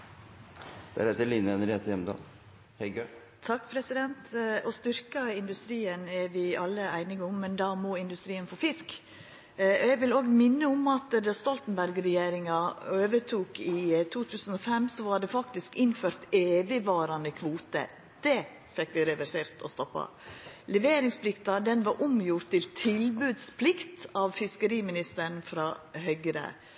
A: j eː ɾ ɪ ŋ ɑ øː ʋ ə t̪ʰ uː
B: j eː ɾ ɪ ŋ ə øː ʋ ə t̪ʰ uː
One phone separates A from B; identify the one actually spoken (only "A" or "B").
A